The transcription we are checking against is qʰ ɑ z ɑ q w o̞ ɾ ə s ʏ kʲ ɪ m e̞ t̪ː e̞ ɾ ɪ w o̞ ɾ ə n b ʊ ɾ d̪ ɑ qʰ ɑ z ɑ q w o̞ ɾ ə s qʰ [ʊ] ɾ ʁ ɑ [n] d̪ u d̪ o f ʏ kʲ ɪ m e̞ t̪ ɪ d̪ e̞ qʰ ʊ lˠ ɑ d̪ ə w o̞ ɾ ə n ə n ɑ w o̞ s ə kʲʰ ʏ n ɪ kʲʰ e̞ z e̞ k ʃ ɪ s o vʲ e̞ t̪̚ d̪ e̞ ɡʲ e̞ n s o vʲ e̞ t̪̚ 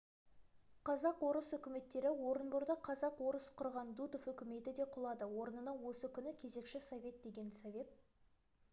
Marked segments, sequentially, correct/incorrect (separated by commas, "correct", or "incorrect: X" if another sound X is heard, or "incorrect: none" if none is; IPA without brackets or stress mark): correct, correct